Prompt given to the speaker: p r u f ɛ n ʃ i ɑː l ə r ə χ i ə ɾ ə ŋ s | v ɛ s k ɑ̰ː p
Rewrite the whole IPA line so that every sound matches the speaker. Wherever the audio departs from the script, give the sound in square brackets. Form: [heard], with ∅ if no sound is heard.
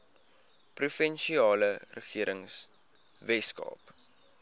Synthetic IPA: p r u f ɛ n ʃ i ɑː l ə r ə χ i ə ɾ ə ŋ s | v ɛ s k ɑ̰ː p